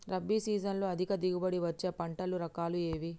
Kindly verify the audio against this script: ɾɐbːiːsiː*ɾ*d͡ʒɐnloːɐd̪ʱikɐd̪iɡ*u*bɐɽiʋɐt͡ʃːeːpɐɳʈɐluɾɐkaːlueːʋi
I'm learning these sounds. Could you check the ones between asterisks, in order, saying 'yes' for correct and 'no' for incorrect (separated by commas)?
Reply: no, yes